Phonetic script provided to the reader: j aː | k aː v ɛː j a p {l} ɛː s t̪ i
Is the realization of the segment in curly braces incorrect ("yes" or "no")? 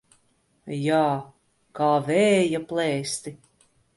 no